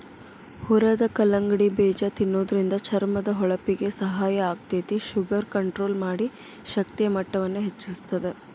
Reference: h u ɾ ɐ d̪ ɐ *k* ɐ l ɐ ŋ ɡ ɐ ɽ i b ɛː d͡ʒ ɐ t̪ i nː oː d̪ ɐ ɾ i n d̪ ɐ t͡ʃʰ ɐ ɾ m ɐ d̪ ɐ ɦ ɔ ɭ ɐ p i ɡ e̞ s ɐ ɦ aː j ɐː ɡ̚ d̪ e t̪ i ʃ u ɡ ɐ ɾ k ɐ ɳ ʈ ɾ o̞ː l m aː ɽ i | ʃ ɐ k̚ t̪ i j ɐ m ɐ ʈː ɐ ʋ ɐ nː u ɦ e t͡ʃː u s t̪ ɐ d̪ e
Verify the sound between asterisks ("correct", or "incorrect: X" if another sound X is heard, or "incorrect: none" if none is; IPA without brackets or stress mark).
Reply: correct